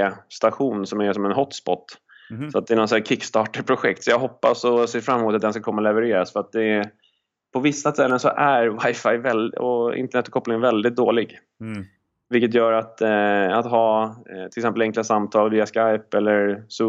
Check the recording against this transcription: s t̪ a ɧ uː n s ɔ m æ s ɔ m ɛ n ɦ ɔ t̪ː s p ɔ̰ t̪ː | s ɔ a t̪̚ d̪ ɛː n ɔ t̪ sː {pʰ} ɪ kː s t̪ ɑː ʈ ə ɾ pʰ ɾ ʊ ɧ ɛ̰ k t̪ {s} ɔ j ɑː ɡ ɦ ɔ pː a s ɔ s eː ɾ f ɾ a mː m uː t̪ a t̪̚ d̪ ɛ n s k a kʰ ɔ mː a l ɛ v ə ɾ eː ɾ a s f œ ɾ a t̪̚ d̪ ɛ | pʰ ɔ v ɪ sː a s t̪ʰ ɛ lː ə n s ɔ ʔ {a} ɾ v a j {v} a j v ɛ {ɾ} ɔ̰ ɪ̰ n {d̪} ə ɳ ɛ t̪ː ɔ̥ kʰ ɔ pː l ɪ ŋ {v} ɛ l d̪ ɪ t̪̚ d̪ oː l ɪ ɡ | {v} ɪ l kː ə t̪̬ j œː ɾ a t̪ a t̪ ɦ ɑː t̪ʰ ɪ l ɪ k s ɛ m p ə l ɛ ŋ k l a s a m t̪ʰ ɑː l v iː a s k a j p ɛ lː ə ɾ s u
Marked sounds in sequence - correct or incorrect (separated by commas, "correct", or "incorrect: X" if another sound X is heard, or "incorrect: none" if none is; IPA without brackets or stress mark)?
incorrect: kʰ, correct, incorrect: æ, incorrect: f, incorrect: l, incorrect: t̪, correct, correct